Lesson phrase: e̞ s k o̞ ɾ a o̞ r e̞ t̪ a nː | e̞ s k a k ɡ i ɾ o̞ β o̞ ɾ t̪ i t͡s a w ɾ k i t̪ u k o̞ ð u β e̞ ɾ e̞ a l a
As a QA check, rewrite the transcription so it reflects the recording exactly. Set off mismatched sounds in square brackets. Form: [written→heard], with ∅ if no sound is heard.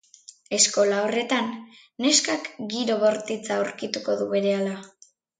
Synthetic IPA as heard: e̞ s k o̞ [ɾ→l] a o̞ r e̞ t̪ a nː | e̞ s k a k ɡ i ɾ o̞ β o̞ ɾ t̪ i t͡s a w ɾ k i t̪ u k o̞ ð u β e̞ ɾ e̞ a l a